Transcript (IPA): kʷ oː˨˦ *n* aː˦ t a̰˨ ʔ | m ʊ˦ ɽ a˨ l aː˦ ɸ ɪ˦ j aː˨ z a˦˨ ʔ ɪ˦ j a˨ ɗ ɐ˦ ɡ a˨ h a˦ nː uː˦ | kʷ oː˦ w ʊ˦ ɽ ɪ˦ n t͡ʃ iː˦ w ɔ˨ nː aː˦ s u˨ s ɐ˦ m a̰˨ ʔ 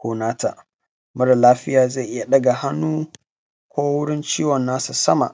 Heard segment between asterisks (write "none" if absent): n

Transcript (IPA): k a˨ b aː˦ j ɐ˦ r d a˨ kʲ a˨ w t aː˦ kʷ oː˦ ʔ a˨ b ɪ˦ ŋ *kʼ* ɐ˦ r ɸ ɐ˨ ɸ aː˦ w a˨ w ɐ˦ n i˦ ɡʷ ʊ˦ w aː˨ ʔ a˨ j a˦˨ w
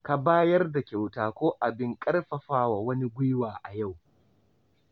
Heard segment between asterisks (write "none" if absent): kʼ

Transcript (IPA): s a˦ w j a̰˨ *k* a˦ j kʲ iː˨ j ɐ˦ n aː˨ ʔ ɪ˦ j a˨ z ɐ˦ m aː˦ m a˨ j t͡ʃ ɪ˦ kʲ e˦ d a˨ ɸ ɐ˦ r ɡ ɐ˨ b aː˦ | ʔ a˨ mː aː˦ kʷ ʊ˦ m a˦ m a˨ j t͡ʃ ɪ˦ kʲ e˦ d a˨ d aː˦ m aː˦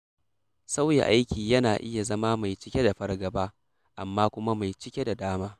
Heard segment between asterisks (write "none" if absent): ʔ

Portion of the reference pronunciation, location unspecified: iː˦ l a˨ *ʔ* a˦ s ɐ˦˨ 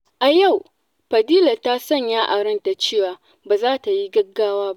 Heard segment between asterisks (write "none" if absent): t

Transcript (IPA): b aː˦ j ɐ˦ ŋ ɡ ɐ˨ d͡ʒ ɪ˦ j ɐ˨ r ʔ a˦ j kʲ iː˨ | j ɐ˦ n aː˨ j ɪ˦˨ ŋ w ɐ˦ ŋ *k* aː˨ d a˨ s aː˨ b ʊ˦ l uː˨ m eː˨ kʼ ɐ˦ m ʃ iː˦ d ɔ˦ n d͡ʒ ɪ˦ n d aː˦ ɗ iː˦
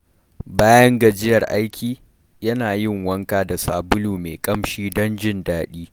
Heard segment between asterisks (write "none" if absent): k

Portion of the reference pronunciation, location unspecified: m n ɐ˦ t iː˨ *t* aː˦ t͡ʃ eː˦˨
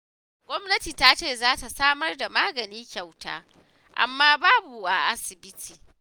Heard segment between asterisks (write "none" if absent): t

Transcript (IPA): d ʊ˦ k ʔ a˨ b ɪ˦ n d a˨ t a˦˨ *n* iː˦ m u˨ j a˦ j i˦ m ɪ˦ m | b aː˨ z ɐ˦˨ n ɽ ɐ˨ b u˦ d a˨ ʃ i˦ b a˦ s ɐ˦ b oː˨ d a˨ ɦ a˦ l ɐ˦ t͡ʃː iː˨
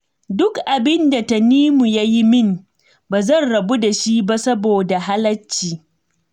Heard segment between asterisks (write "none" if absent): n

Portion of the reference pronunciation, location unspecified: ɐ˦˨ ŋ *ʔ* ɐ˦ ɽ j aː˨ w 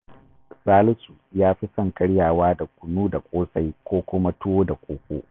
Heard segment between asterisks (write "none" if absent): k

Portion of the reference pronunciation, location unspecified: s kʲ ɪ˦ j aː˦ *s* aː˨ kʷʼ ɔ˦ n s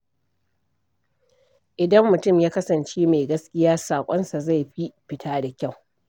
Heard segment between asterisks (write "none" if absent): s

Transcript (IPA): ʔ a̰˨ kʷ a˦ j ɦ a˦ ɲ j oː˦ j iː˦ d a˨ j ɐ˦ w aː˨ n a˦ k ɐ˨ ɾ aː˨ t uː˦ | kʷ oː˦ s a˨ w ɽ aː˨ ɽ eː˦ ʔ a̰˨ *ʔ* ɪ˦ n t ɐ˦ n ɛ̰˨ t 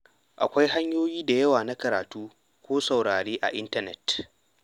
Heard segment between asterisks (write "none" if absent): ʔ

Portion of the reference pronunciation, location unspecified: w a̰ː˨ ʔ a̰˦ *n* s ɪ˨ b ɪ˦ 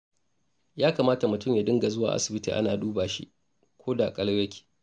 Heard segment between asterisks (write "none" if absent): none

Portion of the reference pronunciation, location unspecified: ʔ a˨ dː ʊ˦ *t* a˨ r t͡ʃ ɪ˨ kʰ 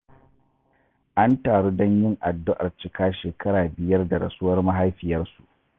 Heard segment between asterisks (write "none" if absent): ʔ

